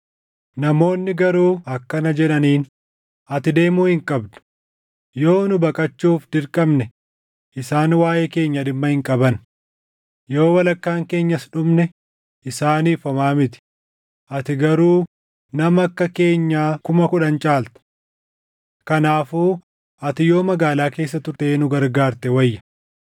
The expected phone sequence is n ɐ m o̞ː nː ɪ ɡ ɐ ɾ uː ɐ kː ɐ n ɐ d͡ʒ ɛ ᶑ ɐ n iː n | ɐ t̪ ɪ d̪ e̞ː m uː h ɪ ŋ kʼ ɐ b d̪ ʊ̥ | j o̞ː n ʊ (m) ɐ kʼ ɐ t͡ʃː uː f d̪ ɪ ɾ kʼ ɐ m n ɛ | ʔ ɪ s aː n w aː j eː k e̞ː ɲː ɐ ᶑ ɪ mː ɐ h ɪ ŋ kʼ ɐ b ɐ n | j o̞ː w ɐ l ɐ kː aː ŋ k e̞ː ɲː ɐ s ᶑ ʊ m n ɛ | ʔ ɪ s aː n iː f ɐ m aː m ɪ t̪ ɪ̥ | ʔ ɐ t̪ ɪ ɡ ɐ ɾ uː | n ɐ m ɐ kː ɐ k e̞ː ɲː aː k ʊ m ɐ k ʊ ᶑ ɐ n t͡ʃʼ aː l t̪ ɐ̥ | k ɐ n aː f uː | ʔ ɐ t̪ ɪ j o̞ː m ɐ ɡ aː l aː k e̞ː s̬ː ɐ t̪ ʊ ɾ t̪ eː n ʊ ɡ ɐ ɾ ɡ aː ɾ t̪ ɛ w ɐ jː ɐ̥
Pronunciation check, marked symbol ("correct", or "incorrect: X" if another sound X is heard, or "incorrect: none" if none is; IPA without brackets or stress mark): incorrect: b